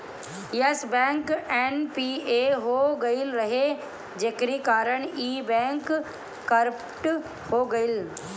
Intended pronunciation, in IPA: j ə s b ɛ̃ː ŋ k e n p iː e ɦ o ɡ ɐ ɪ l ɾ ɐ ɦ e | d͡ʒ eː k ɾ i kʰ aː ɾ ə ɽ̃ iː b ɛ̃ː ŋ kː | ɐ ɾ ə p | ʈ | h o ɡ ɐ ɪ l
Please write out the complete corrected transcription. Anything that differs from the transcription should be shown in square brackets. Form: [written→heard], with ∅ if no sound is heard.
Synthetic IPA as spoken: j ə s b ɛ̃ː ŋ k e n p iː e ɦ o ɡ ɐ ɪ l ɾ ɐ ɦ e | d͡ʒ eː k ɾ i [kʰ→k] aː ɾ ə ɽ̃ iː b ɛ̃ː ŋ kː | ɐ ɾ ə p | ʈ | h o ɡ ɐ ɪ l